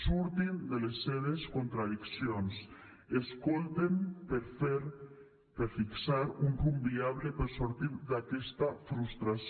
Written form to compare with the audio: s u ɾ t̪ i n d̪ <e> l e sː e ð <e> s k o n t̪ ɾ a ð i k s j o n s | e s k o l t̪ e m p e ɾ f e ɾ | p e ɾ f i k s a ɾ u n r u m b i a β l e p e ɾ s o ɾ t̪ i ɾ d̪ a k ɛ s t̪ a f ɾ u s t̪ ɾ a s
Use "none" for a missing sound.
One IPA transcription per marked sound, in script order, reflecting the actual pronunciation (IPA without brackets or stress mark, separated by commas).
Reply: e, e